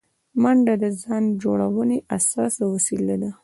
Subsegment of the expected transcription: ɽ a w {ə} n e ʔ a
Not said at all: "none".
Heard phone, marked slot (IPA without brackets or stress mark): ə